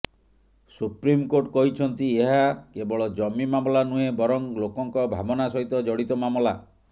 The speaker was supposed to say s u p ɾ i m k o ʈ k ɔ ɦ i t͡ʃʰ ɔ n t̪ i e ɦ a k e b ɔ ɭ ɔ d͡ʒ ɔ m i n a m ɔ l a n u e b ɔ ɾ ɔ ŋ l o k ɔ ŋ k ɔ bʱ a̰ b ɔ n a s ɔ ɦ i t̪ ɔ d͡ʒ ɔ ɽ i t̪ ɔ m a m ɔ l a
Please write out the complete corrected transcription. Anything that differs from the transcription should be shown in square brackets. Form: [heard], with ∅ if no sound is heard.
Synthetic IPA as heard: s u p ɾ i m k o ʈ k ɔ ɦ i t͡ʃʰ ɔ n t̪ i e ɦ a k e b ɔ ɭ ɔ d͡ʒ ɔ m i [m] a m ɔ l a n u e b ɔ ɾ ɔ ŋ l o k ɔ ŋ k ɔ bʱ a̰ b ɔ n a s ɔ ɦ i t̪ ɔ d͡ʒ ɔ ɽ i t̪ ɔ m a m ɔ l a

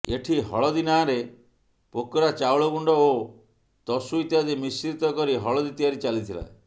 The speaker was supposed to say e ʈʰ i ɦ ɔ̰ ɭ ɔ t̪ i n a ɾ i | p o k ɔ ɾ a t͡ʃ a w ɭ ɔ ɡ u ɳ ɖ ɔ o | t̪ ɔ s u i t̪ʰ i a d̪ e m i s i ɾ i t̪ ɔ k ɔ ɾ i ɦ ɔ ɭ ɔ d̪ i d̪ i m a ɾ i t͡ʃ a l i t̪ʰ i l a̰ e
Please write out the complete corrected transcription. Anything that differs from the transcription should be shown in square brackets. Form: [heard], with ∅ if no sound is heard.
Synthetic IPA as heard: e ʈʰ i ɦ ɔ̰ ɭ ɔ [d̪] i n a ɾ [e] | p o k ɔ ɾ a t͡ʃ a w ɭ ɔ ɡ u ɳ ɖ ɔ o | t̪ ɔ s u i [t̪] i a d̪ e m i s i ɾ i t̪ ɔ k ɔ ɾ i ɦ ɔ ɭ ɔ d̪ i [t̪] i [∅] a ɾ i t͡ʃ a l i t̪ʰ i l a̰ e

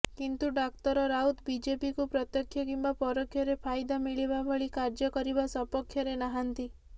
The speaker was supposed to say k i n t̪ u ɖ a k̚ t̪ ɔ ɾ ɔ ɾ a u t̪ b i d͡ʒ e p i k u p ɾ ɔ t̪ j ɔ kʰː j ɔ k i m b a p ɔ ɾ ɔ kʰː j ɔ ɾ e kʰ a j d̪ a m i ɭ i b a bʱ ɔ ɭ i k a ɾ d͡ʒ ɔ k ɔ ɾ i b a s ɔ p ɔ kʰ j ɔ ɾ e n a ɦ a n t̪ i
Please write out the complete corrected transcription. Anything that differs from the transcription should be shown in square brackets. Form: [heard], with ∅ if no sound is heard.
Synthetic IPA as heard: k i n t̪ u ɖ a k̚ t̪ ɔ ɾ ɔ ɾ a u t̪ b i d͡ʒ e p i k u p ɾ ɔ t̪ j ɔ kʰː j ɔ k i m b a p ɔ ɾ ɔ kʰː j ɔ ɾ e [pʰ] a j d̪ a m i ɭ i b a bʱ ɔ ɭ i k a ɾ d͡ʒ ɔ k ɔ ɾ i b a s ɔ p ɔ kʰ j ɔ ɾ e n a ɦ a n t̪ i

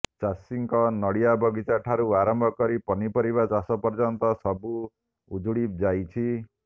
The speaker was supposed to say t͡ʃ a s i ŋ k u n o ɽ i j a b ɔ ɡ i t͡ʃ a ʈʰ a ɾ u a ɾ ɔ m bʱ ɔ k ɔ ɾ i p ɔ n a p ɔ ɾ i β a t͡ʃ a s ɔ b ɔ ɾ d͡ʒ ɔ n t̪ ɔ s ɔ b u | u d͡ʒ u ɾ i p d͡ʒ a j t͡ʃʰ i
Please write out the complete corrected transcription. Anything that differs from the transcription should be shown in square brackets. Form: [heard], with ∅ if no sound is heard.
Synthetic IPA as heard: t͡ʃ a s i ŋ k [ɔ] n [ɔ] ɽ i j a b ɔ ɡ i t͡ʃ a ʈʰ a ɾ u a ɾ ɔ m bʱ ɔ k ɔ ɾ i p ɔ n [i] p ɔ ɾ i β a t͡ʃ a s ɔ [p] ɔ ɾ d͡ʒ ɔ n t̪ ɔ s ɔ b u | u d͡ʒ u [ɽ] i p d͡ʒ a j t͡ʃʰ i

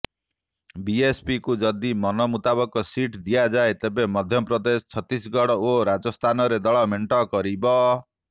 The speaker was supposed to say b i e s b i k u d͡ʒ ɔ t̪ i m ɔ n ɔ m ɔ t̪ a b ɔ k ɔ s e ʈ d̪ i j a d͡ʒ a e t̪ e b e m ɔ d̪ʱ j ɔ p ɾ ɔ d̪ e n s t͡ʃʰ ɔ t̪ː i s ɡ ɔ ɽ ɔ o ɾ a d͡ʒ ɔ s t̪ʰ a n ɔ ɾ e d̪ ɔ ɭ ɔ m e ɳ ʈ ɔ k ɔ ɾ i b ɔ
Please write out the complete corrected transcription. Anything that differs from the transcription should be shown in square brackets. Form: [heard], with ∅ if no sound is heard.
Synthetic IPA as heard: b i e s [p] i k u d͡ʒ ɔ [d̪] i m ɔ n ɔ m [u] t̪ a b ɔ k ɔ s [i] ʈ d̪ i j a d͡ʒ a e t̪ e b e m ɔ d̪ʱ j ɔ p ɾ ɔ d̪ e [∅] s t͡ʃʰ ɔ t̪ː i s ɡ ɔ ɽ ɔ o ɾ a d͡ʒ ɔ s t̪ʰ a n ɔ ɾ e d̪ ɔ ɭ ɔ m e ɳ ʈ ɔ k ɔ ɾ i b ɔ

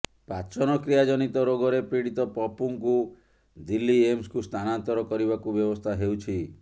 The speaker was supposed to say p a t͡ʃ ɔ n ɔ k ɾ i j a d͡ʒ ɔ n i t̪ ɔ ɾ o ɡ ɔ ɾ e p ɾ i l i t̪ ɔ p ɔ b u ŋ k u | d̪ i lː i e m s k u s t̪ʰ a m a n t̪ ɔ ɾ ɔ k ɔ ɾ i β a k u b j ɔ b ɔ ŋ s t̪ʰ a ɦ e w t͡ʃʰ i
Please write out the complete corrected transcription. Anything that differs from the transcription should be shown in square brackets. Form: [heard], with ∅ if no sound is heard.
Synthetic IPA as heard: p a t͡ʃ ɔ n ɔ k ɾ i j a d͡ʒ ɔ n i t̪ ɔ ɾ o ɡ ɔ ɾ e p ɾ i [ɽ] i t̪ ɔ p ɔ [p] u ŋ k u | d̪ i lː i e m s k u s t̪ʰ a [n] a n t̪ ɔ ɾ ɔ k ɔ ɾ i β a k u b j ɔ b ɔ [∅] s t̪ʰ a ɦ e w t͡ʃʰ i

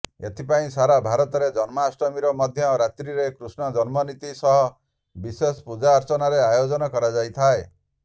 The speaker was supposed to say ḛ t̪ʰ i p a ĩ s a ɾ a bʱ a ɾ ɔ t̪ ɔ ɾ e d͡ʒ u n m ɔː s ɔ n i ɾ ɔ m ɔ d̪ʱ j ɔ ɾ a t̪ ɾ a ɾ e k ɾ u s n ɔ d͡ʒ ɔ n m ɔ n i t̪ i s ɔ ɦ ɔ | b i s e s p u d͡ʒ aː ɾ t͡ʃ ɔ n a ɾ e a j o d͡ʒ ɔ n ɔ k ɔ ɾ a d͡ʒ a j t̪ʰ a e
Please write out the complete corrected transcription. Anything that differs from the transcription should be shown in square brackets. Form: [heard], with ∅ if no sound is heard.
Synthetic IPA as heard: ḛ t̪ʰ i p a ĩ s a ɾ a bʱ a ɾ ɔ t̪ ɔ ɾ e d͡ʒ [ɔ] n m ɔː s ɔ [m] i ɾ ɔ m ɔ d̪ʱ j ɔ ɾ a t̪ ɾ [i] ɾ e k ɾ u s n ɔ d͡ʒ ɔ n m ɔ n i t̪ i s ɔ ɦ ɔ | b i s e s p u d͡ʒ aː ɾ t͡ʃ ɔ n a ɾ e a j o d͡ʒ ɔ n ɔ k ɔ ɾ a d͡ʒ a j t̪ʰ a e

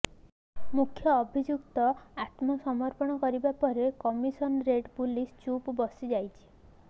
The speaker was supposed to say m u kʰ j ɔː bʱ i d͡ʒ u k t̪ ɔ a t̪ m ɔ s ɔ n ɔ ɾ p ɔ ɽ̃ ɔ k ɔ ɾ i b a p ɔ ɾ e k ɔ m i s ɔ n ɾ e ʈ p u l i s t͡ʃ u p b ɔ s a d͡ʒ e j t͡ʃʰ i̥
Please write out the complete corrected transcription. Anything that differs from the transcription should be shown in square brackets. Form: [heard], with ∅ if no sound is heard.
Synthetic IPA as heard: m u kʰ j ɔː bʱ i d͡ʒ u k t̪ ɔ a t̪ m ɔ s ɔ [m] ɔ ɾ p ɔ ɽ̃ ɔ k ɔ ɾ i b a p ɔ ɾ e k ɔ m i s ɔ n ɾ e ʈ p u l i s t͡ʃ u p b ɔ s [i] d͡ʒ [a] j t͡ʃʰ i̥

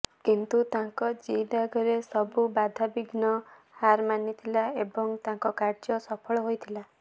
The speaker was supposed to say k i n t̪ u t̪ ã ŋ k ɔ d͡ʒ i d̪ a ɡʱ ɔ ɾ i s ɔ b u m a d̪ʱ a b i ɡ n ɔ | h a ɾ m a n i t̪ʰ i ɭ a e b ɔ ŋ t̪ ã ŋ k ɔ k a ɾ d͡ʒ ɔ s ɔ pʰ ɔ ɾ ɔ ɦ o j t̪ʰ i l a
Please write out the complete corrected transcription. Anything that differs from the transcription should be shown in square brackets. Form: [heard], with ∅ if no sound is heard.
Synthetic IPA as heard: k i n t̪ u t̪ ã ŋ k ɔ d͡ʒ i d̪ a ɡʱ ɔ ɾ [e] s ɔ b u [b] a d̪ʱ a b i ɡ n ɔ | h a ɾ m a n i t̪ʰ i [l] a e b ɔ ŋ t̪ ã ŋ k ɔ k a ɾ d͡ʒ ɔ s ɔ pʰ ɔ [ɭ] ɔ ɦ o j t̪ʰ i l a

